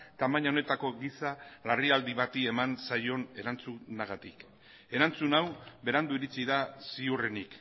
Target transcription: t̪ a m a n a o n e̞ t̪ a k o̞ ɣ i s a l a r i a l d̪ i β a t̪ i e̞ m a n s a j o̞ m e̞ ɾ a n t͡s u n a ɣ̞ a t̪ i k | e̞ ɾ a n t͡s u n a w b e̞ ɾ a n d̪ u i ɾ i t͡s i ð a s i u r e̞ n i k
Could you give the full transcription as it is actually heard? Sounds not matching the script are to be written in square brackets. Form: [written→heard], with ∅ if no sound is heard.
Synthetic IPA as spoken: t̪ a m a [n→ɲ] a o n e̞ t̪ a k o̞ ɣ i s a l a r i a l d̪ i β a t̪ i e̞ m a n s a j o̞ [m→n] e̞ ɾ a n t͡s u n a ɣ̞ a t̪ i k | e̞ ɾ a n t͡s u n a w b e̞ ɾ a n d̪ u i ɾ i t͡s i ð a s i u r e̞ n i k